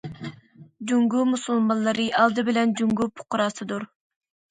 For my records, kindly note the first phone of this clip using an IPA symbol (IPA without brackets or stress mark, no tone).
d͡ʒ